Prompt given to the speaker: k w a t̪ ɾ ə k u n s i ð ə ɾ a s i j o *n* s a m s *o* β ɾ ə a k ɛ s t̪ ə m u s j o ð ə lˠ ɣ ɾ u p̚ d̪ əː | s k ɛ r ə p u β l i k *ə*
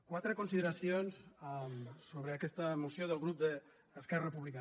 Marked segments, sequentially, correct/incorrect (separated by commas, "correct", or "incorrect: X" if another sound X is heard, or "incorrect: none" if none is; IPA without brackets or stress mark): correct, correct, incorrect: a